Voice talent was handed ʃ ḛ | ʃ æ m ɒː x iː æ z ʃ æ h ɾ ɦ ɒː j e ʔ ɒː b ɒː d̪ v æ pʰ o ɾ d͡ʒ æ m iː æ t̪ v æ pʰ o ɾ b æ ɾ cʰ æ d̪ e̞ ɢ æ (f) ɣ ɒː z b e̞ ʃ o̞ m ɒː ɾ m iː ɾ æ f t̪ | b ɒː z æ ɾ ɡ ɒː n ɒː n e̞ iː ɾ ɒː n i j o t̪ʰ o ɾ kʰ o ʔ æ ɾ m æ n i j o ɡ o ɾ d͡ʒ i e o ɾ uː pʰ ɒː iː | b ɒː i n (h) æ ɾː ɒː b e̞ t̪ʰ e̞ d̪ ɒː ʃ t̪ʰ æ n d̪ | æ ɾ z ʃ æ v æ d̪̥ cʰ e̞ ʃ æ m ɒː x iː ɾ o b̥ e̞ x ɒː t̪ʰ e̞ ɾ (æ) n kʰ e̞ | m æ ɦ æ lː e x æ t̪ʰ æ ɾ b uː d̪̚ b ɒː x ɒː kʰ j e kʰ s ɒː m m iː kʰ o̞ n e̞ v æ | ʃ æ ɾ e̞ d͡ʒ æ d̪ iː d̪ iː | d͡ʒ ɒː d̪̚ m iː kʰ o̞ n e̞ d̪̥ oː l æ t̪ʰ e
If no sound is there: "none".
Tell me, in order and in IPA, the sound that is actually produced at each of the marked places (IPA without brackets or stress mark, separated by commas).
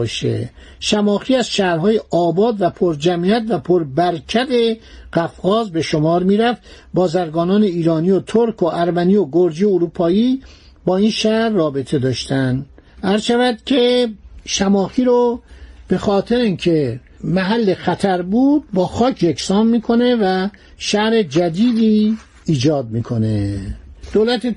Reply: f, ʃ, i